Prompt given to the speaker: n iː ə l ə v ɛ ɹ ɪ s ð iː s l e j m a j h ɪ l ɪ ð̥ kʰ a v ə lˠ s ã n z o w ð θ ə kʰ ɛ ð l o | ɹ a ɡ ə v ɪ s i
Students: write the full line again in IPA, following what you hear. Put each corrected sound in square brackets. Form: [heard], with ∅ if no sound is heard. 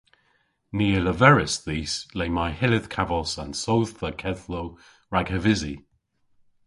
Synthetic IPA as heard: n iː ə l ə v ɛ ɹ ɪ s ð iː s l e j m a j h ɪ l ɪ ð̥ kʰ a v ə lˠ s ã n [s] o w ð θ ə kʰ ɛ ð l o | ɹ a ɡ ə v ɪ [z] i

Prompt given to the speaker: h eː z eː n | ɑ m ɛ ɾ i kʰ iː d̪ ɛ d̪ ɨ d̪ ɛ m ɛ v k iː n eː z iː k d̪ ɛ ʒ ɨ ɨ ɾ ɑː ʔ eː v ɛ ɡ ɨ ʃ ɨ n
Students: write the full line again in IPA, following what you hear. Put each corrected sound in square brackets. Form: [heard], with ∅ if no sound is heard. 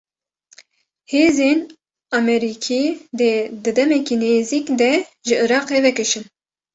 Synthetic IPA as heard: h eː z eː n | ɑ m ɛ ɾ i kʰ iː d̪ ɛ d̪ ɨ d̪ ɛ m ɛ [∅] k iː n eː z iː k d̪ ɛ ʒ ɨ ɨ ɾ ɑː [q] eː v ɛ [k] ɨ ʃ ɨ n

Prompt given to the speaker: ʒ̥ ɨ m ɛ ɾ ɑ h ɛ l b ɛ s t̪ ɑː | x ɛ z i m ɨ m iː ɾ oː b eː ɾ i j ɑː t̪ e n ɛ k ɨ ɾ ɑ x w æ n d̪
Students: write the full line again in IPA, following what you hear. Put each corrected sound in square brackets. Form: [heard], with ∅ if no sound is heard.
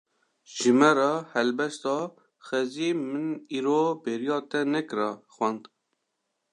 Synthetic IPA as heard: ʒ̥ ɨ m ɛ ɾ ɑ h ɛ l b ɛ s t̪ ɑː | x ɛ z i m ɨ [n] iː ɾ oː b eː ɾ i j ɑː t̪ [ɛ] n ɛ k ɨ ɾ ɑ x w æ n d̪

